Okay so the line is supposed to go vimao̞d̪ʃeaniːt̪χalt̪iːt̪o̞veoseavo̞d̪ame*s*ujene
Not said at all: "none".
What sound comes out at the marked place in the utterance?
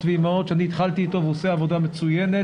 t͡s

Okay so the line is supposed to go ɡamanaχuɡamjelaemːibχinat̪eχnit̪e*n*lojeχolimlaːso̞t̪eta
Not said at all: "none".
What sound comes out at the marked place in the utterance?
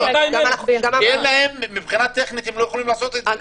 m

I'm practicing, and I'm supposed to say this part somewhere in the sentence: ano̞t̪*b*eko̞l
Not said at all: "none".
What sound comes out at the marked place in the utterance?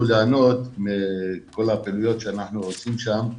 m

